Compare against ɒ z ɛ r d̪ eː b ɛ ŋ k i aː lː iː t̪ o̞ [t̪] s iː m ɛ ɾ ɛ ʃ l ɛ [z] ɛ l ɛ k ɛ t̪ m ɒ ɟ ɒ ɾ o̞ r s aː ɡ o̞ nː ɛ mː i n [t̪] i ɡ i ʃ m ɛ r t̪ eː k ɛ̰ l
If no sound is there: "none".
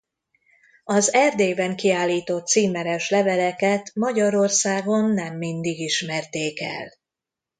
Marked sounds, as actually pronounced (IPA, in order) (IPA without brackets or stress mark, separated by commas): t̪, v, d̪